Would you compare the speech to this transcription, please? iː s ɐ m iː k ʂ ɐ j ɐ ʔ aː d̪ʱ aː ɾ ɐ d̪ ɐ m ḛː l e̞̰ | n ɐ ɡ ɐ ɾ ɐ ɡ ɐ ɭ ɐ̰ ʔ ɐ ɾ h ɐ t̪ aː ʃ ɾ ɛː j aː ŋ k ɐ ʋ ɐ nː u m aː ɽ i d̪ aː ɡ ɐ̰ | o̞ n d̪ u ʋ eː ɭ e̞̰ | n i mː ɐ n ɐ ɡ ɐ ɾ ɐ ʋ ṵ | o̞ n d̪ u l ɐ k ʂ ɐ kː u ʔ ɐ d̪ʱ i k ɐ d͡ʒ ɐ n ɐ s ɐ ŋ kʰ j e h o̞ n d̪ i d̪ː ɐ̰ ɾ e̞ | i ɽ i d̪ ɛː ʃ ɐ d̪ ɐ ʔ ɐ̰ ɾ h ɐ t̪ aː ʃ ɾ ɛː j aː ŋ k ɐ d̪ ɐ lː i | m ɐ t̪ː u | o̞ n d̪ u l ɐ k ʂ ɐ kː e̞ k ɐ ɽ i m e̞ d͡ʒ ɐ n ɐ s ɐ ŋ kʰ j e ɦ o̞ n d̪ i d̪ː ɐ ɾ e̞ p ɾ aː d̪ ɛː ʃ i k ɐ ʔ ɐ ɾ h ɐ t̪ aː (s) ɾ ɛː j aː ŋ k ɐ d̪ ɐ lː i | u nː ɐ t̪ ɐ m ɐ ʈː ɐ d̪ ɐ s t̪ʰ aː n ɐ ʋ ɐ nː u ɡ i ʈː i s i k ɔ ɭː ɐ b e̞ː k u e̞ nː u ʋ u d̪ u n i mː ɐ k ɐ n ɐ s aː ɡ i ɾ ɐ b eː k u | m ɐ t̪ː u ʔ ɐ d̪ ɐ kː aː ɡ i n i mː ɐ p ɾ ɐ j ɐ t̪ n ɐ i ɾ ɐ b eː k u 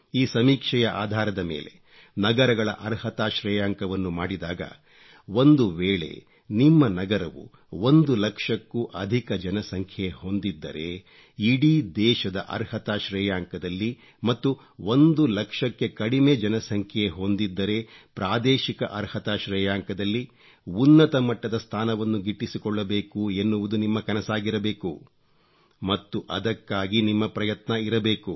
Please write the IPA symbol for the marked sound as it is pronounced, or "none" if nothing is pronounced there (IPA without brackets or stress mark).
ʃ